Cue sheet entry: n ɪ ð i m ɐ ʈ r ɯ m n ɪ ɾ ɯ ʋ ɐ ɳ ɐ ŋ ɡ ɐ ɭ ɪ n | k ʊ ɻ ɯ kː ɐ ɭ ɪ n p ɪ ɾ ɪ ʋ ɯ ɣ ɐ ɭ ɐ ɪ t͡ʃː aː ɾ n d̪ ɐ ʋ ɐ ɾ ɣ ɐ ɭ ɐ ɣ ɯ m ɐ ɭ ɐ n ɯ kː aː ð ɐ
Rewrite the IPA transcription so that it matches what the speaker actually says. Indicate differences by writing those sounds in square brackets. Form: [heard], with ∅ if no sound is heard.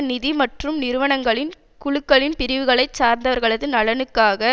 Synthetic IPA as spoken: n ɪ ð i m ɐ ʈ r ɯ m n ɪ ɾ ɯ ʋ ɐ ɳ ɐ ŋ ɡ ɐ ɭ ɪ n | k ʊ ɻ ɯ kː ɐ ɭ ɪ n p ɪ ɾ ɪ ʋ ɯ ɣ ɐ ɭ ɐ ɪ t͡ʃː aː ɾ n d̪ ɐ ʋ ɐ ɾ ɣ ɐ ɭ ɐ [ð] ɯ [n] ɐ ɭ ɐ n ɯ kː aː [ɣ] ɐ